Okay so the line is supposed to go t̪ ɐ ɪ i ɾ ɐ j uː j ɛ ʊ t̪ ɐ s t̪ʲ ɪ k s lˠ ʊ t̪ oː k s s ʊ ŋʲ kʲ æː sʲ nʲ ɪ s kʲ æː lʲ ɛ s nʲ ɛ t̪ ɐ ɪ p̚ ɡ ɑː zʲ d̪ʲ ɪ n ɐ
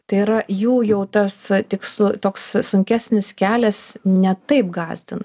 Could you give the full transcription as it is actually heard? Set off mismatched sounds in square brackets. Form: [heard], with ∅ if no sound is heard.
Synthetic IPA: t̪ ɐ ɪ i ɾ ɐ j uː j ɛ ʊ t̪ ɐ s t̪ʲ ɪ k s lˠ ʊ t̪ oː k s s ʊ ŋʲ kʲ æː sʲ nʲ ɪ s kʲ æː lʲ ɛ s nʲ ɛ t̪ ɐ ɪ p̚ ɡ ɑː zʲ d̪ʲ ɪ n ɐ